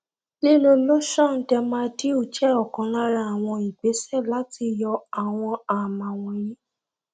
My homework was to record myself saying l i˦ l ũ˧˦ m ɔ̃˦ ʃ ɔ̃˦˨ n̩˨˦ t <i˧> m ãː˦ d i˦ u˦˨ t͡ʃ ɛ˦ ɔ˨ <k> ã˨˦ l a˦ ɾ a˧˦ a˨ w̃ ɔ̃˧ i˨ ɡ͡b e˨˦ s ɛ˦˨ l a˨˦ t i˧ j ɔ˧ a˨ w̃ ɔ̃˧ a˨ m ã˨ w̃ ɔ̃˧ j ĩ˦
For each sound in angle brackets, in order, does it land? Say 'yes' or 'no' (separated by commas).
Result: no, yes